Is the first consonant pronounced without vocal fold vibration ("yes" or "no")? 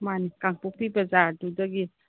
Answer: no